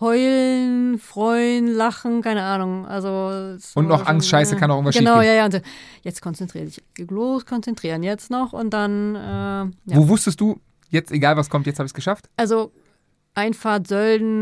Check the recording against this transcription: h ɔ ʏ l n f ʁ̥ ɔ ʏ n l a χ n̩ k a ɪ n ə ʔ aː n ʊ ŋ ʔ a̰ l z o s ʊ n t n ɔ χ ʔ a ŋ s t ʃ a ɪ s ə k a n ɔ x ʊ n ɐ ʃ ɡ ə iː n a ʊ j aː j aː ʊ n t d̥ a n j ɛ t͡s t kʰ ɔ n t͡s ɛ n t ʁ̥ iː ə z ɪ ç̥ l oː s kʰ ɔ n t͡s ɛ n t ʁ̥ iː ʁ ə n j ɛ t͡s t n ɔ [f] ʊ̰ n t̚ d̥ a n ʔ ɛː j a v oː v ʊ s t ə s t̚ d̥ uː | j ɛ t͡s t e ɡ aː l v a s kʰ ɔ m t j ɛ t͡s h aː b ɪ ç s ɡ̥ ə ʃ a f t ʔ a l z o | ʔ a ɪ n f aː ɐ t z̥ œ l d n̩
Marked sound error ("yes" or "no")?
yes